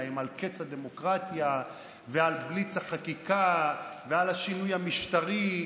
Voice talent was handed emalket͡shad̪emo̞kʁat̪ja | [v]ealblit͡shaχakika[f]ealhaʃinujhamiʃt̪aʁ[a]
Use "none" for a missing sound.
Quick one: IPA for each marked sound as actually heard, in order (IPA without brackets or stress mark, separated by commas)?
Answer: v, v, i